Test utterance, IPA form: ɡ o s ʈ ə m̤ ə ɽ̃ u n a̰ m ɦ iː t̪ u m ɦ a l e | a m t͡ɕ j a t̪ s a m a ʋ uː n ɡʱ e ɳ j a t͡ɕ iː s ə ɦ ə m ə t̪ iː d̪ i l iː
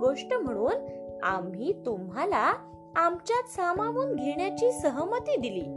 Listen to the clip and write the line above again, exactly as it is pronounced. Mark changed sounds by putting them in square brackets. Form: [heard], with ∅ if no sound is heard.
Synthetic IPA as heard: ɡ o [ʂ] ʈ ə m̤ ə ɽ̃ [uː] n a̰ m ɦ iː t̪ u m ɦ a l [a] | a m t͡ɕ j a t̪ s a m a ʋ uː n ɡʱ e ɳ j a t͡ɕ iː s ə ɦ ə m ə t̪ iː d̪ i l iː